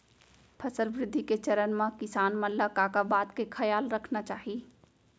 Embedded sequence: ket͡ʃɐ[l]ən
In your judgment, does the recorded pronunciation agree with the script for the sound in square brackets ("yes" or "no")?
no